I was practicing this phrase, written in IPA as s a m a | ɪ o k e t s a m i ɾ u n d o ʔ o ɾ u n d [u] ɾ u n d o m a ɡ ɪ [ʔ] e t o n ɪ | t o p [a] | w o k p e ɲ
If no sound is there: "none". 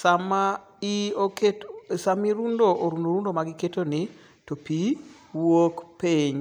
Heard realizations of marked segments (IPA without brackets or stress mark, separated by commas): o, k, i